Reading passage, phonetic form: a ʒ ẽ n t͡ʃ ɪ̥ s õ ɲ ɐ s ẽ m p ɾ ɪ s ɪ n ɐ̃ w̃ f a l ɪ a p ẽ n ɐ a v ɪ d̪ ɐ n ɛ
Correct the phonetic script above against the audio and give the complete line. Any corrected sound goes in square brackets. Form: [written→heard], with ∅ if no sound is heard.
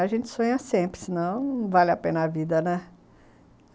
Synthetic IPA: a ʒ ẽ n t͡ʃ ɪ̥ s õ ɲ ɐ s ẽ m p ɾ ɪ s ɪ n ɐ̃ w̃ [f→v] a l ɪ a p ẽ n ɐ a v [ɪ→i] d̪ ɐ n ɛ